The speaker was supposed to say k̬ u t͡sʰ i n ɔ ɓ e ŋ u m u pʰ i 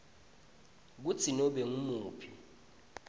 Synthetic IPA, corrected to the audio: k̬ u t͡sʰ i n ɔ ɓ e ŋ u m uː pʰ i